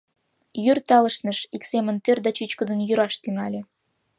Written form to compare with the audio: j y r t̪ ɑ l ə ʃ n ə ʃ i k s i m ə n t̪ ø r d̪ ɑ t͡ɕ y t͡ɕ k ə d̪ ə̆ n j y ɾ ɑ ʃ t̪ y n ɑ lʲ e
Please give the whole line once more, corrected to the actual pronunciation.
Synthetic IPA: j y r t̪ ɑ l ə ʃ n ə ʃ i k s e m ə n t̪ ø r d̪ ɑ t͡ɕ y t͡ɕ k ə d̪ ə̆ n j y ɾ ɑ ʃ t̪ y ŋ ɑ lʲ e